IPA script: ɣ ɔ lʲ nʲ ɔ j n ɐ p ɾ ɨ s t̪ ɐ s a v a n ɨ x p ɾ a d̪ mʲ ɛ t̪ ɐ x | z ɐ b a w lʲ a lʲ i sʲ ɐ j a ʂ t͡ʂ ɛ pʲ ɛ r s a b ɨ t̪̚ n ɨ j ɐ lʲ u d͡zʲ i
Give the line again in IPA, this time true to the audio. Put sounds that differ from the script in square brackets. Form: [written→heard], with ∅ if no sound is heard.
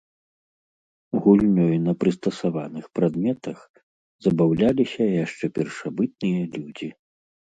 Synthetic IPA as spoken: ɣ [ɔ→u] lʲ nʲ ɔ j n ɐ p ɾ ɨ s t̪ ɐ s a v a n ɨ x p ɾ a d̪ mʲ ɛ t̪ ɐ x | z ɐ b a w lʲ a lʲ i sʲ ɐ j a ʂ t͡ʂ ɛ pʲ ɛ r [s→ʂ] a b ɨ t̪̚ n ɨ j ɐ lʲ u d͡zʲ i